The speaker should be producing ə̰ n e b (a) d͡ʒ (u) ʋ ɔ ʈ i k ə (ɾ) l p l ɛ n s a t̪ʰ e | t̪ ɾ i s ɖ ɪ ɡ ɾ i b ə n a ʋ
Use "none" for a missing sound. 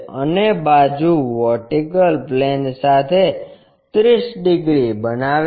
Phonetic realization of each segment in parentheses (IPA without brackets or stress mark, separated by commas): a, u, none